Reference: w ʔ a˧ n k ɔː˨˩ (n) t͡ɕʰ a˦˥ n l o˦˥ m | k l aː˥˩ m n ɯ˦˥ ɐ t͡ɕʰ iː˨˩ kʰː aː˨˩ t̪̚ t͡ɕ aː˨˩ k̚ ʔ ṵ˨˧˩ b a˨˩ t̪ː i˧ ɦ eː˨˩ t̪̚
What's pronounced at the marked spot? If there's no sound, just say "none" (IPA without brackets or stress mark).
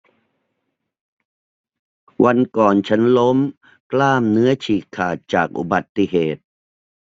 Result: n